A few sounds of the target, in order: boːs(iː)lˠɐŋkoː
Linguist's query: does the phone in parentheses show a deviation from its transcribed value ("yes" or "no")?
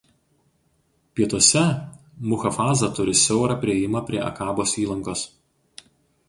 no